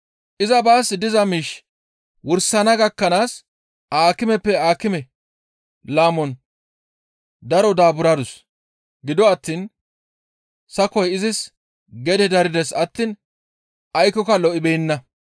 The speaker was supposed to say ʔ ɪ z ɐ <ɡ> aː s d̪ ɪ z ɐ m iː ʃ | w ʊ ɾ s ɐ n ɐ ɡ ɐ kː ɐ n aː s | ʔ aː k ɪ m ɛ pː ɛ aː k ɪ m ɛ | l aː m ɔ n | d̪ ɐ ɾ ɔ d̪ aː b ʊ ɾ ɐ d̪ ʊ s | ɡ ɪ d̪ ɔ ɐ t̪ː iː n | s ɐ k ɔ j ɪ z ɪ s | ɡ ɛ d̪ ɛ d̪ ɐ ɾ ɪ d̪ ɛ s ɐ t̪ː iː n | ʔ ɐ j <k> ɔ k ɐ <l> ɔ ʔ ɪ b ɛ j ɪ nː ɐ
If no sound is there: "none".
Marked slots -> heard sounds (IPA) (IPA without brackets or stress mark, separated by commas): b, k, l